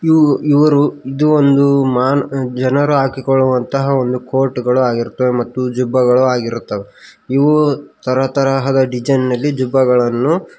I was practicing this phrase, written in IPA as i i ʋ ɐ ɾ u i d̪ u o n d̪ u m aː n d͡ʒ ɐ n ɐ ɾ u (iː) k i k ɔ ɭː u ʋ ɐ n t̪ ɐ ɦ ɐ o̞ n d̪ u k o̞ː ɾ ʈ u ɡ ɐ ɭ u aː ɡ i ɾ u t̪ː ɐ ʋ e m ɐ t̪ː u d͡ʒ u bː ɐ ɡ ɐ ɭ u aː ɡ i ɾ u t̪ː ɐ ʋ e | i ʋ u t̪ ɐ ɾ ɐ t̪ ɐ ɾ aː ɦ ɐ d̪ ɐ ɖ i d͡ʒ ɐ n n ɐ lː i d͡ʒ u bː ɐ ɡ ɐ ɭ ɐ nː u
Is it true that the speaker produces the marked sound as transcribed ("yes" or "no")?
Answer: no